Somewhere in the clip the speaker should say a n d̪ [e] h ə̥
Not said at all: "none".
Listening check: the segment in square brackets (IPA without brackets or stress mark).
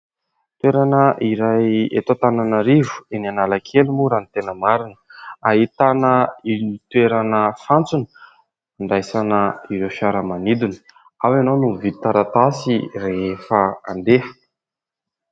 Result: e